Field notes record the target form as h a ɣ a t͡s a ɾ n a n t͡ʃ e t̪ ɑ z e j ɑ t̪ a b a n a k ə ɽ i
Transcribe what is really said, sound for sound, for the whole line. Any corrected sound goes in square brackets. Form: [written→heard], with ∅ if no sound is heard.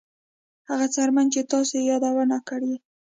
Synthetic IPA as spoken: h a ɣ a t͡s a ɾ [n→m] a n t͡ʃ e t̪ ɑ [z→s] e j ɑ [t̪→d̪] a [b→w] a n a k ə ɽ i